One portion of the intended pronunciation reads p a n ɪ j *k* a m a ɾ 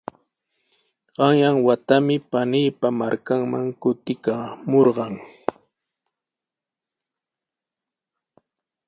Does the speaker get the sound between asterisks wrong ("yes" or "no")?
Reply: yes